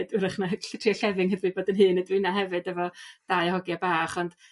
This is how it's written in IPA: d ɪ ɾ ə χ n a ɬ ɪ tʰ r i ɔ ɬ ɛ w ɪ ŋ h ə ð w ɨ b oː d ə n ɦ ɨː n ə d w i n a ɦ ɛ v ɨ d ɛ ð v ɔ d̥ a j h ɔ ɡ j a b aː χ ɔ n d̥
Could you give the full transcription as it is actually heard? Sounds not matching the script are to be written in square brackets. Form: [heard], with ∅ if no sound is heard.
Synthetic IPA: d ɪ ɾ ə χ n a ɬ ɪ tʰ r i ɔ ɬ ɛ [v] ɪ ŋ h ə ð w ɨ b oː d ə n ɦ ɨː n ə d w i n a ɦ ɛ v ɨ d ɛ [∅] v ɔ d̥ a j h ɔ ɡ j a b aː χ ɔ n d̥